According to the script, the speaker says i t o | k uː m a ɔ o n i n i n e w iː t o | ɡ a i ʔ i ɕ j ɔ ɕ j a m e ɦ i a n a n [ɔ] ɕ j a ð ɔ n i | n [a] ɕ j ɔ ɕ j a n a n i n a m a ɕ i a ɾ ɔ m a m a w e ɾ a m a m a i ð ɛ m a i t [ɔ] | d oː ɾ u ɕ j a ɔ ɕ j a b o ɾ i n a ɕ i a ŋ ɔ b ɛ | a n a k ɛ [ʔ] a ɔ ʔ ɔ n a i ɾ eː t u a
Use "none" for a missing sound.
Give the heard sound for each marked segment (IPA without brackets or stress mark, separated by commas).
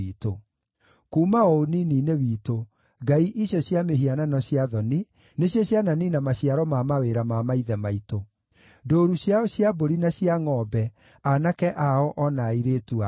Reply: ɔ, e, o, ʔ